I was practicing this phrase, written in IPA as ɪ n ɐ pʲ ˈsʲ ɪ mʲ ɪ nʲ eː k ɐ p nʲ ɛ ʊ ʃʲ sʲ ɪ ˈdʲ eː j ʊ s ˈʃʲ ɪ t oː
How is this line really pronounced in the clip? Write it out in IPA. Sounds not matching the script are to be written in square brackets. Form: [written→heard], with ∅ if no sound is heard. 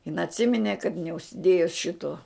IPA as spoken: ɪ n ɐ [pʲ→tʲ] ˈsʲ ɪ mʲ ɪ nʲ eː k ɐ [p→t] nʲ ɛ ʊ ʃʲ sʲ ɪ ˈdʲ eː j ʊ s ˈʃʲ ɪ t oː